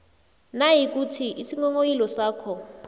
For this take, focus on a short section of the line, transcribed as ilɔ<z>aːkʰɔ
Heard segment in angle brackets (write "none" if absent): s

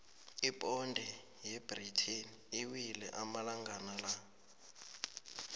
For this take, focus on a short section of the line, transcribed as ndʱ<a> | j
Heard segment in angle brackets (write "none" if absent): ɛ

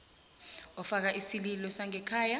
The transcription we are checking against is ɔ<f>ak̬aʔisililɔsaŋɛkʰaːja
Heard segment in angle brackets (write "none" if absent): f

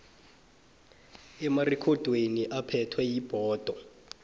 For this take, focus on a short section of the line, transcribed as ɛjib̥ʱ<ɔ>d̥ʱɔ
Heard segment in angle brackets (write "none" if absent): ɔː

